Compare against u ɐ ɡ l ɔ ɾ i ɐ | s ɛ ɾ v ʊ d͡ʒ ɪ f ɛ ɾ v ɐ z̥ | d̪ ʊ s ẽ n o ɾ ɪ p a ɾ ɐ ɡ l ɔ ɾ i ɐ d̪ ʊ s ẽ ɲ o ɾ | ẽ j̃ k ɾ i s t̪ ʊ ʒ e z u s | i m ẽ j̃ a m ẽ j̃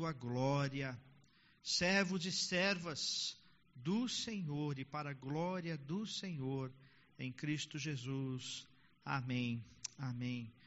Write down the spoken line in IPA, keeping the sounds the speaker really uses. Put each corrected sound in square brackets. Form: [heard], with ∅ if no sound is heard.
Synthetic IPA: u ɐ ɡ l ɔ ɾ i ɐ | s ɛ ɾ v ʊ d͡ʒ ɪ [s] ɛ ɾ v ɐ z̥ | d̪ ʊ s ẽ [ɲ] o ɾ ɪ p a ɾ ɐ ɡ l ɔ ɾ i ɐ d̪ ʊ s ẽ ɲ o ɾ | ẽ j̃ k ɾ i s t̪ ʊ ʒ e z u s | [a] m ẽ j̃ a m ẽ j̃